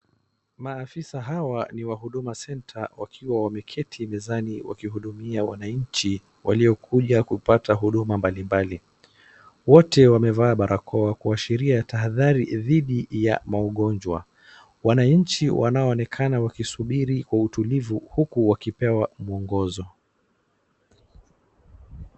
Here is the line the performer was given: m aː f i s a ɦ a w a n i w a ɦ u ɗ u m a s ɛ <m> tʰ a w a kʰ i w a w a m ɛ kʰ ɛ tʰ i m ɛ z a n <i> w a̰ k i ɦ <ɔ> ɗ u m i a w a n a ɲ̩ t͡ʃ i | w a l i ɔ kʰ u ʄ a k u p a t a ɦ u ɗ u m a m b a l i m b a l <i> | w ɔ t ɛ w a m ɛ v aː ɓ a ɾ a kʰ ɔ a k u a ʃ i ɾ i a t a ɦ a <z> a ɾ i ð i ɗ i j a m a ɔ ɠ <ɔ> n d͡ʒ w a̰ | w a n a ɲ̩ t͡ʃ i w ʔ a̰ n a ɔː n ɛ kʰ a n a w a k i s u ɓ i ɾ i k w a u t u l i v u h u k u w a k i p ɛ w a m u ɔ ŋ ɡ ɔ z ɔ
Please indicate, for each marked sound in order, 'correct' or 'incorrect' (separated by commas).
incorrect, correct, incorrect, correct, incorrect, correct